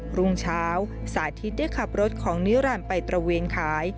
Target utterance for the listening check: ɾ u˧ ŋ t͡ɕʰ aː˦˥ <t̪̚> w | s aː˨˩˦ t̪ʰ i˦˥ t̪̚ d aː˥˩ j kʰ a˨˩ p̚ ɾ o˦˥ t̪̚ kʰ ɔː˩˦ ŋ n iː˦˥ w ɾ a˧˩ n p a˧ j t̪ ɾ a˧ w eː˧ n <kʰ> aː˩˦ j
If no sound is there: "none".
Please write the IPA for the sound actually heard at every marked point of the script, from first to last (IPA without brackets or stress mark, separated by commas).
none, kʰ